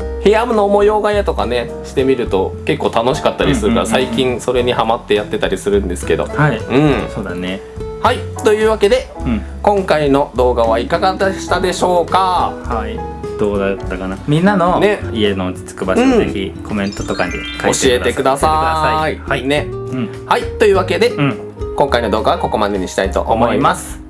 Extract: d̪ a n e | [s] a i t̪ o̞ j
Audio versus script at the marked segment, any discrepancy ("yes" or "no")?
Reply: yes